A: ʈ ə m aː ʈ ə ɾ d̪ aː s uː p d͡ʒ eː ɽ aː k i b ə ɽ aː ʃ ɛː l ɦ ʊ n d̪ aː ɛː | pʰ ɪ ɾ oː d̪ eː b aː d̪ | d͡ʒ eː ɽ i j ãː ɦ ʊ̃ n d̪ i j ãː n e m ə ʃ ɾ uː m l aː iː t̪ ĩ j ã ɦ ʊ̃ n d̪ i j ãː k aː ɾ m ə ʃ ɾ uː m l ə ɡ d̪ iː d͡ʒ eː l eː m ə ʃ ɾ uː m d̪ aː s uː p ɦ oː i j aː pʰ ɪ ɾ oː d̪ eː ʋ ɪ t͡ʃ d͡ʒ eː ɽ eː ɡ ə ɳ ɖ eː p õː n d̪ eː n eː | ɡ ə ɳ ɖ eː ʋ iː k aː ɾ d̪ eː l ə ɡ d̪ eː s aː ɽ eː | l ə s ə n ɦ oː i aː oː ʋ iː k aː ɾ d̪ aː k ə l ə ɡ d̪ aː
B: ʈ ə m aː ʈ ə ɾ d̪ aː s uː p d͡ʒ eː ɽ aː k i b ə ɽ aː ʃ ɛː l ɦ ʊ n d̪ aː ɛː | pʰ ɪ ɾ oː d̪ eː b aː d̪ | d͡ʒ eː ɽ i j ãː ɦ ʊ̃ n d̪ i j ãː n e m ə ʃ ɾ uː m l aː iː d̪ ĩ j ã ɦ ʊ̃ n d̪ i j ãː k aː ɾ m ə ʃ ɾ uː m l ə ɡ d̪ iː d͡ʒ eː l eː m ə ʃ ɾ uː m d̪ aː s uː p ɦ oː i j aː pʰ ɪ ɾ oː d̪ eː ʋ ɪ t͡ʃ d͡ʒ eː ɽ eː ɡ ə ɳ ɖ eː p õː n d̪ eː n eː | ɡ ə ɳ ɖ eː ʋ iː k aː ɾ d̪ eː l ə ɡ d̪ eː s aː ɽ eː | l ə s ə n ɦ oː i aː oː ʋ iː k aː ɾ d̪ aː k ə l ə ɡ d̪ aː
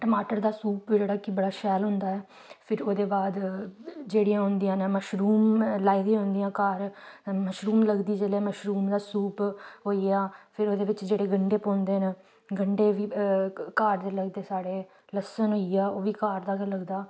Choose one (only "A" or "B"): B